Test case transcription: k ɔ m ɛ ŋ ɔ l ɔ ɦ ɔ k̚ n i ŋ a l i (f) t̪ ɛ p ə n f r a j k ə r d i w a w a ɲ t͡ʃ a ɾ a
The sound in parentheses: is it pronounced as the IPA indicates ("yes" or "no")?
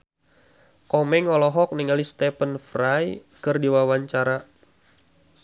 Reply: no